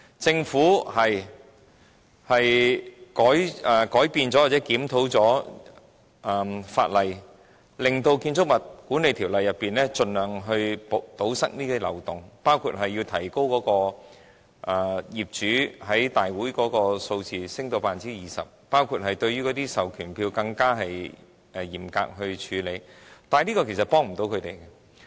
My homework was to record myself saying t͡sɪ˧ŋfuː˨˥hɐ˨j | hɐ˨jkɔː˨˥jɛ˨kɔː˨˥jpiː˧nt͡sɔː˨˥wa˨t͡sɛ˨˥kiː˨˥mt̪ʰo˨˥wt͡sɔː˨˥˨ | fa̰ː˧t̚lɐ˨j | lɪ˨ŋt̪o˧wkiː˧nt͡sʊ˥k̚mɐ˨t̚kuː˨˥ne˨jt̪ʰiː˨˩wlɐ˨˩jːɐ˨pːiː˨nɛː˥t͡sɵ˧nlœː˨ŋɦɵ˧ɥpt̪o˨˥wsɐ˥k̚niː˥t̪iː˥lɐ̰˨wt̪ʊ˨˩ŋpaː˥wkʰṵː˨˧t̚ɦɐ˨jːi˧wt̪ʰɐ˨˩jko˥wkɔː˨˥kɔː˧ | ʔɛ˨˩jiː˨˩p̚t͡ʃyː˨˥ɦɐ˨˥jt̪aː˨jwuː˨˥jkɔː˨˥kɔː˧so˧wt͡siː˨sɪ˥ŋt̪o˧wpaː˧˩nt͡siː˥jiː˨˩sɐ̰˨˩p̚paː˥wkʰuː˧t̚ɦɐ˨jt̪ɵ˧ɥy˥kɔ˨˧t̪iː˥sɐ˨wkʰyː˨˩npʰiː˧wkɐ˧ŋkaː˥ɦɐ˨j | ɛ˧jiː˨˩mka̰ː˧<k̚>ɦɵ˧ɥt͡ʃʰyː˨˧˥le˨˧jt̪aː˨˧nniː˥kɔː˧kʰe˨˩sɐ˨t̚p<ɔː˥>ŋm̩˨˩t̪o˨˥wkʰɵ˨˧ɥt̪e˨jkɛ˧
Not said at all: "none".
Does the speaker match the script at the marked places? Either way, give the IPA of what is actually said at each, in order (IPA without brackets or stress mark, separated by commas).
k̚, ɔː˥